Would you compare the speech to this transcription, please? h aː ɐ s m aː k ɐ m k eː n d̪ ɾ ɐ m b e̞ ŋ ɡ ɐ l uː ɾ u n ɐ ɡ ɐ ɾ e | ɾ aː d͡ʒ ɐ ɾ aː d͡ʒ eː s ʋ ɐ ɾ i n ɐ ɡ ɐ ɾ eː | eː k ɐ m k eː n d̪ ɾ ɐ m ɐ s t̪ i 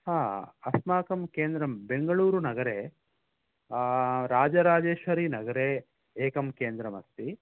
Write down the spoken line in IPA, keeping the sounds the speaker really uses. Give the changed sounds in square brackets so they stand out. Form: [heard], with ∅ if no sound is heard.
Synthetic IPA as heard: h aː ɐ s m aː k ɐ m k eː n d̪ ɾ ɐ m b e̞ ŋ ɡ ɐ [ɭ] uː ɾ u n ɐ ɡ ɐ ɾ e | ɾ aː d͡ʒ ɐ ɾ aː d͡ʒ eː [ʃ] ʋ ɐ ɾ i n ɐ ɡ ɐ ɾ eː | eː k ɐ m k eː n d̪ ɾ ɐ m ɐ s t̪ i